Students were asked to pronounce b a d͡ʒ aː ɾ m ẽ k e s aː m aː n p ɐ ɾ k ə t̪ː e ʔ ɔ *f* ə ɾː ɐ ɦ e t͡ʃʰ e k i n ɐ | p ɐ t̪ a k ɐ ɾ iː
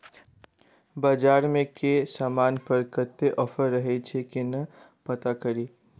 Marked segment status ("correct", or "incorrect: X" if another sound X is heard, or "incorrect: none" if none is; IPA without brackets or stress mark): correct